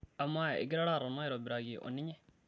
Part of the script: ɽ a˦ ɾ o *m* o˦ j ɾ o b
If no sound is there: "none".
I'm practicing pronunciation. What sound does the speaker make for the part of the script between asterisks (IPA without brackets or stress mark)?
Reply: n